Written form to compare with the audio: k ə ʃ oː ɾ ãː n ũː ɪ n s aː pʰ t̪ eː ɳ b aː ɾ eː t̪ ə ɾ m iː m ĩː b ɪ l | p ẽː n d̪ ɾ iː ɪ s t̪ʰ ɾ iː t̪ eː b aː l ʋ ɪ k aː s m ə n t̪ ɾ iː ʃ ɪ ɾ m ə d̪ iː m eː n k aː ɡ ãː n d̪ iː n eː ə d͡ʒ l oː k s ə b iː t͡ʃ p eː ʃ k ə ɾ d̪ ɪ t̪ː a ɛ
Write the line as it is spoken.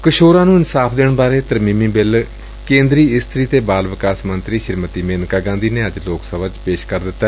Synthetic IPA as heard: k ə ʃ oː ɾ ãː n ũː ɪ n s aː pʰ d̪ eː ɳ b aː ɾ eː t̪ ə ɾ m iː m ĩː b ɪ l | k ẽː n d̪ ɾ iː ɪ s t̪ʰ ɾ iː t̪ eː b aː l ʋ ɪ k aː s m ə n t̪ ɾ iː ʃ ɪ ɾ m ə t̪ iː m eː n k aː ɡ ãː n d̪ iː n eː ə d͡ʒ l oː k s ə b aː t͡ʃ p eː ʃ k ə ɾ d̪ ɪ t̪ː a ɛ

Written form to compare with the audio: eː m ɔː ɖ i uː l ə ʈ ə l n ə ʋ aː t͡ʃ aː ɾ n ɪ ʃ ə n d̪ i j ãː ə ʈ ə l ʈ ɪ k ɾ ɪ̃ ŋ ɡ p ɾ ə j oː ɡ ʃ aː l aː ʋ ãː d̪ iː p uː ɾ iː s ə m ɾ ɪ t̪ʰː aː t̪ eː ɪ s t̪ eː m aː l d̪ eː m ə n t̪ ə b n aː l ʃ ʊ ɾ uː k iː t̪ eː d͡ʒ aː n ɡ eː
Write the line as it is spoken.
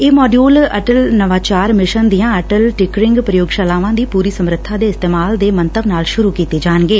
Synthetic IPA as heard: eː m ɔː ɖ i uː l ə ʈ ə l n ə ʋ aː t͡ʃ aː ɾ m ɪ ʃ ə n d̪ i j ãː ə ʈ ə l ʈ ɪ k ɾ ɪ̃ ŋ ɡ p ɾ ə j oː ɡ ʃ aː l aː ʋ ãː d̪ iː p uː ɾ iː s ə m ɾ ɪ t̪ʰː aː d̪ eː ɪ s t̪ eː m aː l d̪ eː m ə n t̪ ə b n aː l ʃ ʊ ɾ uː k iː t̪ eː d͡ʒ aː n ɡ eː

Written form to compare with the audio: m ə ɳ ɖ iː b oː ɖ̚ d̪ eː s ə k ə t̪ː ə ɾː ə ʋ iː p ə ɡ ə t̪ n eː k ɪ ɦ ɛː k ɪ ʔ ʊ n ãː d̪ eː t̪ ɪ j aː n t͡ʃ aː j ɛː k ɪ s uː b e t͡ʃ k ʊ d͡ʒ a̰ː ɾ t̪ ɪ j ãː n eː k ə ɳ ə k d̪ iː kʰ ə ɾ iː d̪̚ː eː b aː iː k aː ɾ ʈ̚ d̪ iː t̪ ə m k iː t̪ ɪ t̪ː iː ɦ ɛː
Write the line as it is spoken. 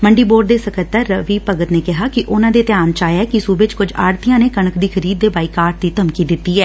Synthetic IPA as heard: m ə ɳ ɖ iː b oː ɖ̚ d̪ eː s ə k ə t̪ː ə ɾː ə ʋ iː p ə ɡ ə t̪ n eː k ɪ ɦ aː k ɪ ʔ ʊ n ãː d̪ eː t̪ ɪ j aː n t͡ʃ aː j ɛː k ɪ s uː b e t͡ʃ k ʊ d͡ʒ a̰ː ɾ t̪ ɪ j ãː n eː k ə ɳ ə k d̪ iː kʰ ə ɾ iː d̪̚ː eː b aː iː k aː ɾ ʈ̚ d̪ iː t̪ ə m k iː d̪ ɪ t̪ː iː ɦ ɛː

